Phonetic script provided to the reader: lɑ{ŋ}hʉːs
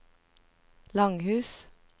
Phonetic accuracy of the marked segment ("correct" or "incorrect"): correct